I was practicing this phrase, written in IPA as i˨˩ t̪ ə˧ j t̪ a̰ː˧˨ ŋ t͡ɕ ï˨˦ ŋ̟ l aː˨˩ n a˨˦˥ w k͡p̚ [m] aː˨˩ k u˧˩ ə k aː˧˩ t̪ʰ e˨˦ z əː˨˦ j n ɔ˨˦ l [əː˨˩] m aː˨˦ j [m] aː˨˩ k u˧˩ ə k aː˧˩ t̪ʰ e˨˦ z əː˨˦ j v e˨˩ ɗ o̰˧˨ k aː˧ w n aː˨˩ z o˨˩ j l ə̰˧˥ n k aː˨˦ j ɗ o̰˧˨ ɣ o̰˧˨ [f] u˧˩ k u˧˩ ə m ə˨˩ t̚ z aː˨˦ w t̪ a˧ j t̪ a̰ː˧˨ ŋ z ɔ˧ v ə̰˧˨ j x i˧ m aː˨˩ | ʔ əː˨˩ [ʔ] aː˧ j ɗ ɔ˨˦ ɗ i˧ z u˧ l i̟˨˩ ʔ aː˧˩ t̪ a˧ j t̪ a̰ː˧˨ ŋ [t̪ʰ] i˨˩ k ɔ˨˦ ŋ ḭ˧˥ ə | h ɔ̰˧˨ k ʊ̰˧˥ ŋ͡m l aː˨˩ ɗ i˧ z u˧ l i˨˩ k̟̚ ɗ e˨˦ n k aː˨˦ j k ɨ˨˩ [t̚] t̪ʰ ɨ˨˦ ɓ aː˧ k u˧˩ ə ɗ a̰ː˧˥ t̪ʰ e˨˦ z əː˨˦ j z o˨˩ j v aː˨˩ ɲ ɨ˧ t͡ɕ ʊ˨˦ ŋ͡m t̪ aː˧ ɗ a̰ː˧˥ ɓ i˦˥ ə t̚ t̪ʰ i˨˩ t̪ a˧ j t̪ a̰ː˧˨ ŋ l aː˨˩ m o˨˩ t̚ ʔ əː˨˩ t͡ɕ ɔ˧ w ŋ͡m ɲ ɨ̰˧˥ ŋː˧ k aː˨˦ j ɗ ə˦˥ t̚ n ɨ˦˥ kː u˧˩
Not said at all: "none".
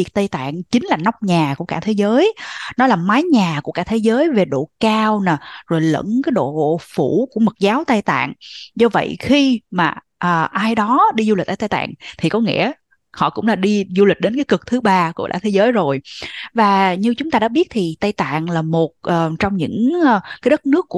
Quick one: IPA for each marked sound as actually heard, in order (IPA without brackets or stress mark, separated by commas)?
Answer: ɲ, aː˨˩, ɲ, f, ʔ, t̪ʰ, k̚